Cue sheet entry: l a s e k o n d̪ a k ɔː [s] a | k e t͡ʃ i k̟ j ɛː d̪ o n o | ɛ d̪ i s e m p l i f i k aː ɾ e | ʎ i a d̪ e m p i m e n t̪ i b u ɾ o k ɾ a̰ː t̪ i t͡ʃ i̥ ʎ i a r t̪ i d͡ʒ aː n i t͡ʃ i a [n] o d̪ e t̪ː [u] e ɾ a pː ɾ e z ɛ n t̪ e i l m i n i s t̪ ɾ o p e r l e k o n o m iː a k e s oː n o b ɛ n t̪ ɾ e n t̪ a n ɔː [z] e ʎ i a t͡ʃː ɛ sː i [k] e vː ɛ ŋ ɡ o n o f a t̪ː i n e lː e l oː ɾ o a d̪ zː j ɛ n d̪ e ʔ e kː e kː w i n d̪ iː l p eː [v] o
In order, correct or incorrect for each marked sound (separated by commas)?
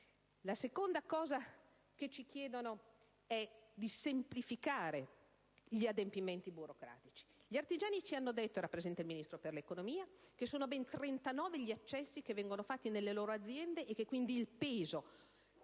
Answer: incorrect, incorrect, incorrect, incorrect, correct, incorrect